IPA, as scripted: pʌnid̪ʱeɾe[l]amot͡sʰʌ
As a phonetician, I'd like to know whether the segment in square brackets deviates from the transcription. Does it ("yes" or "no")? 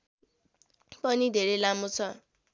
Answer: no